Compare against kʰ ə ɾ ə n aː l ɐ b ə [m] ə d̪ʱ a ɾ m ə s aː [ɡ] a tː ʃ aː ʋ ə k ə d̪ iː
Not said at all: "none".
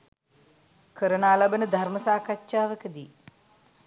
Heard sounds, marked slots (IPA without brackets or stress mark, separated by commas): n, k